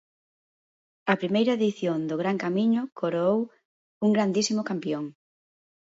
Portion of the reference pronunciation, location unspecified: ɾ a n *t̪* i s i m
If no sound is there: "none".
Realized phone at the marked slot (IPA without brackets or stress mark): d̪